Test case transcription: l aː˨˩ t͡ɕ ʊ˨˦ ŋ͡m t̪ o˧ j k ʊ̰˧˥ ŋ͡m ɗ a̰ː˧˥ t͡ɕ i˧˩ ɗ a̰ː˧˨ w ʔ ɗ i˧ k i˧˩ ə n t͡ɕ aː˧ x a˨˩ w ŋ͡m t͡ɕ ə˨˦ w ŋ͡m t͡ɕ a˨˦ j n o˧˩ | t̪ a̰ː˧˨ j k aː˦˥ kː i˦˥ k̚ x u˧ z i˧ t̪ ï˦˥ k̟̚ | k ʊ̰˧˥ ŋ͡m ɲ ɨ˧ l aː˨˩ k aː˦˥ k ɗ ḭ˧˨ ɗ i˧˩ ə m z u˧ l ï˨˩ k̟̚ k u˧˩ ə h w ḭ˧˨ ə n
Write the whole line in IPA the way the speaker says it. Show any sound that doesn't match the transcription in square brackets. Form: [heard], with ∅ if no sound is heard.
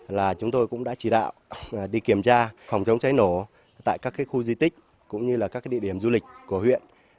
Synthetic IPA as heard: l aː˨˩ t͡ɕ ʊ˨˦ ŋ͡m t̪ o˧ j k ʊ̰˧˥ ŋ͡m ɗ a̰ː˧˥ t͡ɕ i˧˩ ɗ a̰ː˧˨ w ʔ ɗ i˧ k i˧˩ ə [m] t͡ɕ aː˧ [f] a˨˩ w ŋ͡m t͡ɕ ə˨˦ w ŋ͡m t͡ɕ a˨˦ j n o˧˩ | t̪ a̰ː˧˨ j k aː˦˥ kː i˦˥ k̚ x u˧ z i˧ t̪ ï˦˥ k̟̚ | k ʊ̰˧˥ ŋ͡m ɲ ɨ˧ l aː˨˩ k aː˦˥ k ɗ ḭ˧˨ ɗ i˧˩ ə m z u˧ l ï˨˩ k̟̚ k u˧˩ ə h w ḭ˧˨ ə n